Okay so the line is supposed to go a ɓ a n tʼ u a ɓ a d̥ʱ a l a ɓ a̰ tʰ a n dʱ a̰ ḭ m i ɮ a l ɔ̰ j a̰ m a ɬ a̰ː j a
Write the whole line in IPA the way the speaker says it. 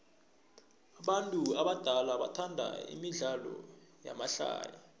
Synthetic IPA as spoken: a ɓ a n tʼ u a ɓ a d̥ʱ a l a ɓ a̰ tʰ a n dʱ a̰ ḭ m i ɮ a l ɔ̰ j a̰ m a ɬ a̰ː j a

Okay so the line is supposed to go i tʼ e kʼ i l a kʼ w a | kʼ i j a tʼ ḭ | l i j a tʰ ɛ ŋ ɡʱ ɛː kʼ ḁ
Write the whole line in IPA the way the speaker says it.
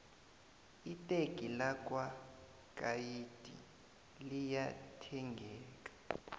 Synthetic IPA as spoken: i tʼ e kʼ i l a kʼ w a | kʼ a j i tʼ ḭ | l i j a tʰ ɛ ŋ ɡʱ ɛː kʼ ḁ

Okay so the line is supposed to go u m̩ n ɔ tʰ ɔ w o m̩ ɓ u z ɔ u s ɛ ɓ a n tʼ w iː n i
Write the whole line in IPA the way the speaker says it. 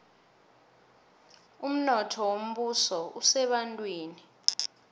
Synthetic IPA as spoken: u m̩ n ɔ tʰ ɔ w o m̩ ɓ u s ɔ u s ɛ ɓ a n tʼ w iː n i

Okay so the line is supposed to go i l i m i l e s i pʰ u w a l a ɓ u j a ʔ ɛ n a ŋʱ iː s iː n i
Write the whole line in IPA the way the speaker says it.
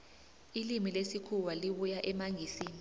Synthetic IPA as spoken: i l i m i l e s i kʰ u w a l i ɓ u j a ʔ ɛ m a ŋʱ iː s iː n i

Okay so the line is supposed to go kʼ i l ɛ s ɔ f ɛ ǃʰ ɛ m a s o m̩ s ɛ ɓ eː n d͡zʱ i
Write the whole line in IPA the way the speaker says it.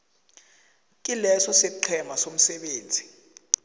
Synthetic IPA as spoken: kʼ i l ɛ s ɔ s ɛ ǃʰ ɛ m a s o m̩ s ɛ ɓ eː n d͡zʱ i

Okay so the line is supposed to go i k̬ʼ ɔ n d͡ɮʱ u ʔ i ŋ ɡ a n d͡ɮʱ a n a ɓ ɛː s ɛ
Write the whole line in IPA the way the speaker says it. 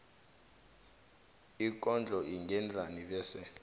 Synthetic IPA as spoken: i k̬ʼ ɔ n d͡ɮʱ ɔ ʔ i ŋ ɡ ɛ n d͡ɮʱ a n i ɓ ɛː s ɛ

